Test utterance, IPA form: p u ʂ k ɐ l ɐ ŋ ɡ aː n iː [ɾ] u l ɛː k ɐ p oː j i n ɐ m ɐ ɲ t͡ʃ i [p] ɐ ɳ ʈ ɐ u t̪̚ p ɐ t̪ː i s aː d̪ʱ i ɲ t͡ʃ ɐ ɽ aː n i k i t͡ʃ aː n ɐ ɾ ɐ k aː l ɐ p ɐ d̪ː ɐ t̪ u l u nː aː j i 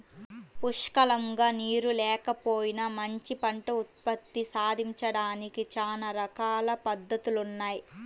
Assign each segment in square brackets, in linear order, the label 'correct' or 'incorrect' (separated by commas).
correct, correct